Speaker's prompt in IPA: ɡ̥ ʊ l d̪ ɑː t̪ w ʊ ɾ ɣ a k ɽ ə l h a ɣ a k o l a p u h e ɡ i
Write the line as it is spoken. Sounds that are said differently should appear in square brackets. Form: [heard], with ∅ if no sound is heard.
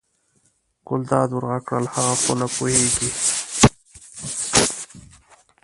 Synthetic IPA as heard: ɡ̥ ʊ l d̪ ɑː [d̪] w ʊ ɾ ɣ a k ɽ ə l h a ɣ a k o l a p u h e ɡ i